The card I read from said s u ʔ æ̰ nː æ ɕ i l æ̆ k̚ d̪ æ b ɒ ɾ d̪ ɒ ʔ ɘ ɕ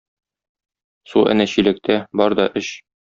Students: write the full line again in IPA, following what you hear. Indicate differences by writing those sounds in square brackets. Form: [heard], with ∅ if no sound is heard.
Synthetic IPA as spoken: s u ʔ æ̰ [n] æ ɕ i l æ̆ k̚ [t̪] æ b ɒ ɾ d̪ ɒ ʔ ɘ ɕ